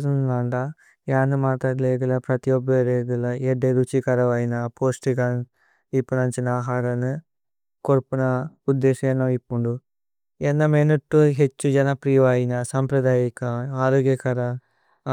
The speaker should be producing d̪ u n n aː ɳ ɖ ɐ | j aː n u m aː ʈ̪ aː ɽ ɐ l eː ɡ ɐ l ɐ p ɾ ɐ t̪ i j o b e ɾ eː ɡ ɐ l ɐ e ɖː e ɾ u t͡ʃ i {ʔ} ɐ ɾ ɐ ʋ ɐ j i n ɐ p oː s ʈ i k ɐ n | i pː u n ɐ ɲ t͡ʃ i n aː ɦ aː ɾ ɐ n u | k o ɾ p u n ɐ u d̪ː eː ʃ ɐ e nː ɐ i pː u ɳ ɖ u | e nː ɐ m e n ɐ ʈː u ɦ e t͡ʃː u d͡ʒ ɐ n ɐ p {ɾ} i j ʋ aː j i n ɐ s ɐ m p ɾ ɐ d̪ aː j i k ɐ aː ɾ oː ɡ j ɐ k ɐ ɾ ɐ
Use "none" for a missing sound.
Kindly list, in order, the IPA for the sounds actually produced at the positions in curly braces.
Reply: k, ɾ

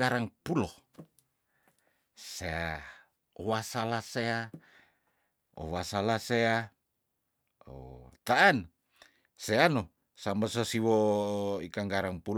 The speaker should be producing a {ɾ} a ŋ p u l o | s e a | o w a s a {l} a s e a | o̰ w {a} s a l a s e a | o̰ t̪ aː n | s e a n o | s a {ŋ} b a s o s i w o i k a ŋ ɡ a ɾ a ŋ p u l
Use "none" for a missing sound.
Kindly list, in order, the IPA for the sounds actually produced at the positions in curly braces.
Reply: ɾ, l, a, m

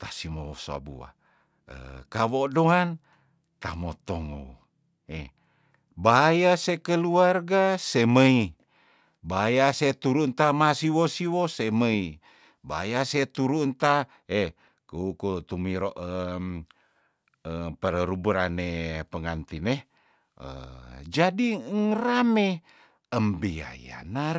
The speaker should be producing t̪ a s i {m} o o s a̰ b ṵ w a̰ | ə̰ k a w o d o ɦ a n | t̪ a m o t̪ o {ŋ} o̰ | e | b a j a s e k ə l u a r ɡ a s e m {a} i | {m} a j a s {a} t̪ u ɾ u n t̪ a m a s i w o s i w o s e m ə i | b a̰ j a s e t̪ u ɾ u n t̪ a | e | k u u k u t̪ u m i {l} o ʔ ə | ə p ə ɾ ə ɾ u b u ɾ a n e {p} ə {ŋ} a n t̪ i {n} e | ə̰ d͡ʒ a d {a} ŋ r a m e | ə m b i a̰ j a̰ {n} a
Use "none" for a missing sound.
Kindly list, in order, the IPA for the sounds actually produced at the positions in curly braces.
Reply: m, ŋ, ə, b, e, ɾ, p, ŋ, n, i, n

